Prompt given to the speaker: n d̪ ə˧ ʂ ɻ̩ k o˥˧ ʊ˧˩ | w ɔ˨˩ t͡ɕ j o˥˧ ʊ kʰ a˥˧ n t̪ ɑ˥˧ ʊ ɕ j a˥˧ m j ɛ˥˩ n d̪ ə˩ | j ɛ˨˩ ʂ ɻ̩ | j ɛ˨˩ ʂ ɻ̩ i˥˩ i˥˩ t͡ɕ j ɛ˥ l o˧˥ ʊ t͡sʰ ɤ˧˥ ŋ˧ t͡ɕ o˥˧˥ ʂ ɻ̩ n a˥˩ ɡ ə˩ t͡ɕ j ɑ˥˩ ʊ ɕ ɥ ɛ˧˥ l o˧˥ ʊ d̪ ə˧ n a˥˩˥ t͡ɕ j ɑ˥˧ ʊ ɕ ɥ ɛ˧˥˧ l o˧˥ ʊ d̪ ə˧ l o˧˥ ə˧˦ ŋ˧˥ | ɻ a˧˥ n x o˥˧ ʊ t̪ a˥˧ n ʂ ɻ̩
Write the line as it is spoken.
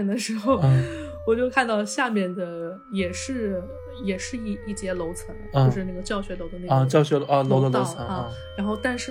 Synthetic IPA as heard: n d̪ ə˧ ʂ ɻ̩ x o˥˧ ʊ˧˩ | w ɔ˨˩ t͡ɕ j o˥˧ ʊ kʰ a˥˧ n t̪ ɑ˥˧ ʊ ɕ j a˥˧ m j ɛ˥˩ n d̪ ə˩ | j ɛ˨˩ ʂ ɻ̩ | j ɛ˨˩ ʂ ɻ̩ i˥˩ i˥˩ t͡ɕ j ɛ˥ l o˧˥ ʊ t͡sʰ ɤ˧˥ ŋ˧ t͡ɕ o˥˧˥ ʂ ɻ̩ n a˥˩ ɡ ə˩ t͡ɕ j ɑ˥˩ ʊ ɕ ɥ ɛ˧˥ l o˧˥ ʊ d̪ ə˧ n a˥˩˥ t͡ɕ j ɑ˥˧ ʊ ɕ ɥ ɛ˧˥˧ l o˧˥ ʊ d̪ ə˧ l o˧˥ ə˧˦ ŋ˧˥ | ɻ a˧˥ n x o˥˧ ʊ t̪ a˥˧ n ʂ ɻ̩